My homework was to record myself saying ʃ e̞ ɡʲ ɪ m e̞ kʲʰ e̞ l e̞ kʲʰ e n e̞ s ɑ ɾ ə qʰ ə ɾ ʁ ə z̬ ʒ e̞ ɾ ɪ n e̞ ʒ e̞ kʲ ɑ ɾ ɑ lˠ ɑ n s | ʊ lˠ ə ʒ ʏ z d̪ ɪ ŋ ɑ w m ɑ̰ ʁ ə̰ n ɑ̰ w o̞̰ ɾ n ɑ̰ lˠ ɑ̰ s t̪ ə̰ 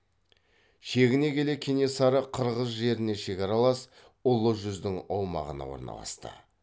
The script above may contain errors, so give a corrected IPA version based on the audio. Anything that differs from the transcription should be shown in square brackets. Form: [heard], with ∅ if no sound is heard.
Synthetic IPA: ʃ e̞ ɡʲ ɪ [n] e̞ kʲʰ e̞ l e̞ kʲʰ e n e̞ s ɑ ɾ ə qʰ ə ɾ ʁ ə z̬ ʒ e̞ ɾ ɪ n e̞ [ʃ] e̞ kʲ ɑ ɾ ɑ lˠ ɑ [∅] s | ʊ lˠ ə ʒ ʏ z d̪ ɪ ŋ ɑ w m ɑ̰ ʁ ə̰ n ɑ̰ w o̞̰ ɾ n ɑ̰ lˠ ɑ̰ s t̪ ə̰